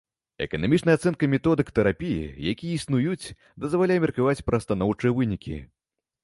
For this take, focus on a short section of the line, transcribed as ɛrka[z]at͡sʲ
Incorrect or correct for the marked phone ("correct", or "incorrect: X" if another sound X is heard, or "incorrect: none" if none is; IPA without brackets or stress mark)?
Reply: incorrect: v